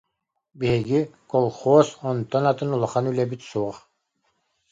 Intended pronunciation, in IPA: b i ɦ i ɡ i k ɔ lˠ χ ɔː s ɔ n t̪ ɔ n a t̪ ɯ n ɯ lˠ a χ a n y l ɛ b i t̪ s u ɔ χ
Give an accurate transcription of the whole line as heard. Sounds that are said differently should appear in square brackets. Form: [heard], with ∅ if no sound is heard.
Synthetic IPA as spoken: b i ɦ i ɡ i k ɔ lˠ χ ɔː s ɔ n t̪ ɔ n a t̪ ɯ n [u] lˠ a χ a n y l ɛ b i t̪ s u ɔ χ